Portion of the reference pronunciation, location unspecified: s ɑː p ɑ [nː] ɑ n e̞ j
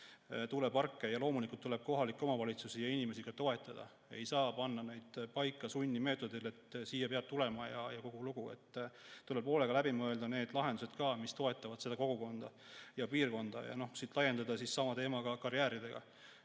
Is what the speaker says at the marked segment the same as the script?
yes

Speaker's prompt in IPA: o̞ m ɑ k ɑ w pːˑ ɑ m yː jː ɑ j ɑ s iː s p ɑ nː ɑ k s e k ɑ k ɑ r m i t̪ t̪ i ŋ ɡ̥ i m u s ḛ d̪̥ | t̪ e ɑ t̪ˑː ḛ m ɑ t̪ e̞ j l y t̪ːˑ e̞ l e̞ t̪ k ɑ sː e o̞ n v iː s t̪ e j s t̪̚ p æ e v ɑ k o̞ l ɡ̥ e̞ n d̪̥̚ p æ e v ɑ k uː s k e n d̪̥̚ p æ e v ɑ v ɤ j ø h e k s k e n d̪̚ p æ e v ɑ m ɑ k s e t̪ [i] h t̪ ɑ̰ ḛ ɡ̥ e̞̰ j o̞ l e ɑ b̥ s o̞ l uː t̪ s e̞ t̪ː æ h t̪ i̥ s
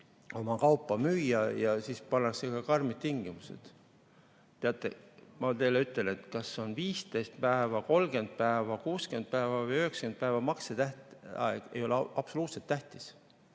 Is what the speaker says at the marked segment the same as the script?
no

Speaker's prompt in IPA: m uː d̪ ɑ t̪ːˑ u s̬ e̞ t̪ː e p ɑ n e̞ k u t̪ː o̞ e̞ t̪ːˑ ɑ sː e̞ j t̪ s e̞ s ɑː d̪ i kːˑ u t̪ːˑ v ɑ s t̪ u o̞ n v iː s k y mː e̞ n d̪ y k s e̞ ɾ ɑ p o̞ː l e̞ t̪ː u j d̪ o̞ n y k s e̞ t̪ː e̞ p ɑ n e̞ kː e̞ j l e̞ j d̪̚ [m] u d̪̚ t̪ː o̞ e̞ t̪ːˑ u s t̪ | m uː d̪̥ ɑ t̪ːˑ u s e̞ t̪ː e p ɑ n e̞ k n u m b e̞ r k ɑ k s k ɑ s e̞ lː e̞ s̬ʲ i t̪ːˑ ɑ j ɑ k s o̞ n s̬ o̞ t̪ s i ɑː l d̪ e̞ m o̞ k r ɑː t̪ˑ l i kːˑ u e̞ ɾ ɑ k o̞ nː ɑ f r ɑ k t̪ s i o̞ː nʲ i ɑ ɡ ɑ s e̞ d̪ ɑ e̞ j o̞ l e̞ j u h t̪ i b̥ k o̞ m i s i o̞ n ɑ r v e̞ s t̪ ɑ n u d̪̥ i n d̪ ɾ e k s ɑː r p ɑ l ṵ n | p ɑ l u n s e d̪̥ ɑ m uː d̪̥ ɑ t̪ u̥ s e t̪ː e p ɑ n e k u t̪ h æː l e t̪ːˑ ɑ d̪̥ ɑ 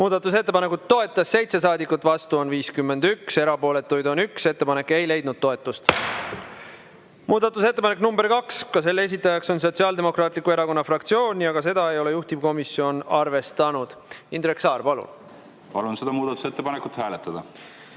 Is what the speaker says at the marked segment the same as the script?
no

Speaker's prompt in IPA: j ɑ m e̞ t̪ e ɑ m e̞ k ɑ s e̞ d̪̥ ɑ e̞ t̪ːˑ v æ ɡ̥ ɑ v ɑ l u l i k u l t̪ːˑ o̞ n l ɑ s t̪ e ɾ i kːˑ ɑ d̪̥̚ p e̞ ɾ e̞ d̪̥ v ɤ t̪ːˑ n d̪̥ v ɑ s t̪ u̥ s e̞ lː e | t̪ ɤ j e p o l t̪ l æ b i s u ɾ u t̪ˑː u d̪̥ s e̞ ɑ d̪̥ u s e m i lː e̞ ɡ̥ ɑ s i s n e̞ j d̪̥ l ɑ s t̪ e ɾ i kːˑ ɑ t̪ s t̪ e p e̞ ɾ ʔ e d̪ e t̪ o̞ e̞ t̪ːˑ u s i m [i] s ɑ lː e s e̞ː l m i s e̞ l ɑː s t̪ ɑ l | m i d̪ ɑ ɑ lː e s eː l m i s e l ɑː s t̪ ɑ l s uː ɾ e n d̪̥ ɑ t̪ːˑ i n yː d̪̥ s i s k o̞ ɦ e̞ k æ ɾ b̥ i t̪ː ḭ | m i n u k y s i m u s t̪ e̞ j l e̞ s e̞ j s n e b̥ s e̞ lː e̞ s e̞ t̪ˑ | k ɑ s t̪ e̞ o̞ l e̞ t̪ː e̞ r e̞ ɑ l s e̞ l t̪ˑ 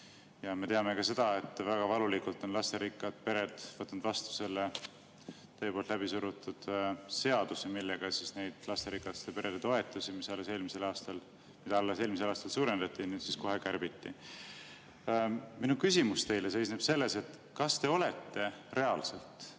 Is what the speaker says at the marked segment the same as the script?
yes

